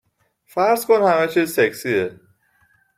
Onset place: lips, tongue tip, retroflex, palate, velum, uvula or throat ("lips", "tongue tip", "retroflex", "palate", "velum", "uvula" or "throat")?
lips